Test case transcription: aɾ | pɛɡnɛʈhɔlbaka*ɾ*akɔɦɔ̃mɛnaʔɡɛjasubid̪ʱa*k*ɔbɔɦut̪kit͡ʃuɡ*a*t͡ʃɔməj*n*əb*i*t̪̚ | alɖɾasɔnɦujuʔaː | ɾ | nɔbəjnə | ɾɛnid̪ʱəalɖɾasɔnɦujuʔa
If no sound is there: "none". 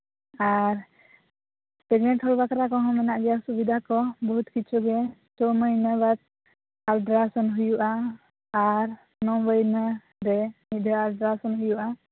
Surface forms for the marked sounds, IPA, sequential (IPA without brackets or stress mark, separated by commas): ɾ, k, ɛ, n, a